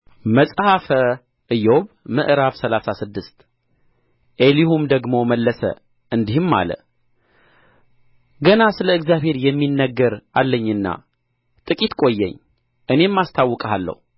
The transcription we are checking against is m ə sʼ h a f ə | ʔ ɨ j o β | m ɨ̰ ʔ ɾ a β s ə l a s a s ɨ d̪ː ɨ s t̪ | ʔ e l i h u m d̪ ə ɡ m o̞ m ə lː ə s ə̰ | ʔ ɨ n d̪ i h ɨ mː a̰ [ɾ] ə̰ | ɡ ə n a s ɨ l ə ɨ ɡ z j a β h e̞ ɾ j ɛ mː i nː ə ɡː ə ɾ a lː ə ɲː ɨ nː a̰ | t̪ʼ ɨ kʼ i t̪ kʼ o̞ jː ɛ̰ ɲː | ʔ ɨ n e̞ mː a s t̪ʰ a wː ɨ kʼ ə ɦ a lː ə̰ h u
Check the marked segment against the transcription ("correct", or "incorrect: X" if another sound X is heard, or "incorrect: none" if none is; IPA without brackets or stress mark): incorrect: l